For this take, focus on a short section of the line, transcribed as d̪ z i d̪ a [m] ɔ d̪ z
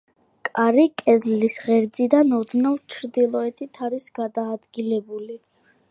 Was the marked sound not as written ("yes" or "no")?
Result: yes